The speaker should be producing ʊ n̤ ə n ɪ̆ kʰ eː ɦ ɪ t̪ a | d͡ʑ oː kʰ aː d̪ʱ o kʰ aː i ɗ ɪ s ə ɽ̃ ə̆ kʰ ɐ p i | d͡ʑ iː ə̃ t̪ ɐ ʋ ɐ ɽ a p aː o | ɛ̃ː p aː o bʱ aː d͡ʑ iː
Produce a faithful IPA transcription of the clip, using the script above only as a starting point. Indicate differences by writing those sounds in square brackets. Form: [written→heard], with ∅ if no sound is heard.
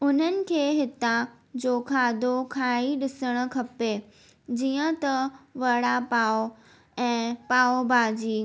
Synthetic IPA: ʊ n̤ ə n ɪ̆ kʰ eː ɦ ɪ t̪ a | d͡ʑ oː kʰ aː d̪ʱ o kʰ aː i ɗ ɪ s ə ɽ̃ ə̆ kʰ ɐ p [i→e] | d͡ʑ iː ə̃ t̪ ɐ ʋ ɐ ɽ a p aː o | ɛ̃ː p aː o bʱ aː d͡ʑ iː